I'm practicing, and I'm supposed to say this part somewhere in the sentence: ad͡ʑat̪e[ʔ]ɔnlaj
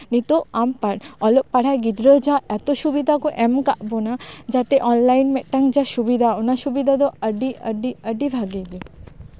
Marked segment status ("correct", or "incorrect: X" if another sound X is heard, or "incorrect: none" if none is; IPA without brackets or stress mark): correct